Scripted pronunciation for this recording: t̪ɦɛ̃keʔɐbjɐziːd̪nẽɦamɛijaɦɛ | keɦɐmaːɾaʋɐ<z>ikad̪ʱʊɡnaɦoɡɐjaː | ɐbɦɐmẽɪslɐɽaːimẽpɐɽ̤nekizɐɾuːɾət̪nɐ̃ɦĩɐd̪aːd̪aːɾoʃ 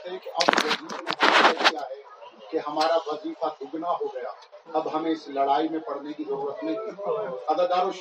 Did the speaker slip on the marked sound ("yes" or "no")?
no